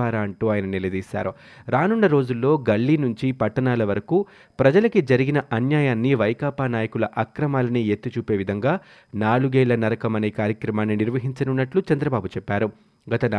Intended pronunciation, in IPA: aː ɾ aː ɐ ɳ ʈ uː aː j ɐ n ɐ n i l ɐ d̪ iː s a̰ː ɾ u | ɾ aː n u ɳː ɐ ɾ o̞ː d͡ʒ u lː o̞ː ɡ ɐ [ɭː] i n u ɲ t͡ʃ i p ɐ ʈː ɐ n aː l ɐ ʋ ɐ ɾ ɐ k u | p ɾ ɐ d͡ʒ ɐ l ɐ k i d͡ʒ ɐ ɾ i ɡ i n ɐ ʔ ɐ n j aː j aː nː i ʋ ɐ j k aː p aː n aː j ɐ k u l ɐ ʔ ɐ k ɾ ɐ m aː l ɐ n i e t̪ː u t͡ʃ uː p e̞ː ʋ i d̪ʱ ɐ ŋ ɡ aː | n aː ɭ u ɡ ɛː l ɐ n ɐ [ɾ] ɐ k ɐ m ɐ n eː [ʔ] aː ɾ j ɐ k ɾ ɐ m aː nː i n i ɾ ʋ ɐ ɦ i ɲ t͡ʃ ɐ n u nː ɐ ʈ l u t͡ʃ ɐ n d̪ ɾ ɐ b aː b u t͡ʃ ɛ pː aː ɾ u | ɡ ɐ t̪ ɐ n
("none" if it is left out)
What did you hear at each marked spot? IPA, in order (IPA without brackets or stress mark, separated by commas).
ɭː, ɾ, k